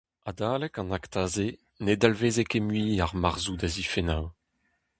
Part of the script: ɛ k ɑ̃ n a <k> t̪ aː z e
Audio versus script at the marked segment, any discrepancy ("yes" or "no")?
no